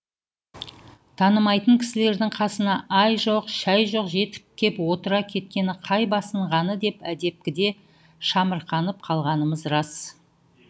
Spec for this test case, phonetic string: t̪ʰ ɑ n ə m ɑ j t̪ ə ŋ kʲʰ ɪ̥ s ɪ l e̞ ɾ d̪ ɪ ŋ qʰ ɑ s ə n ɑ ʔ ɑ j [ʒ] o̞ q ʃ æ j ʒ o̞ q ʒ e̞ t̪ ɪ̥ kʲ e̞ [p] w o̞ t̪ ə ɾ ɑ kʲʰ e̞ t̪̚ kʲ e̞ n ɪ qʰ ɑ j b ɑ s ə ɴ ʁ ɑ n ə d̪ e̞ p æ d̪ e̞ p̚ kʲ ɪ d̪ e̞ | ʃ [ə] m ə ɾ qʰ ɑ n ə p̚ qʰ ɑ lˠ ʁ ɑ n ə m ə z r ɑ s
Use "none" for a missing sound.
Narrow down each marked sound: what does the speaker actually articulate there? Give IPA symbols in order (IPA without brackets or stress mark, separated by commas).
ʒ, p, ɑ